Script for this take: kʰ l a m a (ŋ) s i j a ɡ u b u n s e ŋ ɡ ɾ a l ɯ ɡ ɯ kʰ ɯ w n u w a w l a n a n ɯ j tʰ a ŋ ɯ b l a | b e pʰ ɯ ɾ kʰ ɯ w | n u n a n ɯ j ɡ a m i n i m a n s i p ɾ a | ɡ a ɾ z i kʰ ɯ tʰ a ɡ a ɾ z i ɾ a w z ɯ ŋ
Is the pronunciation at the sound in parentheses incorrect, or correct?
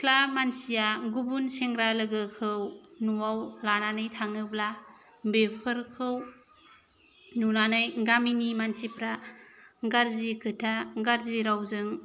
incorrect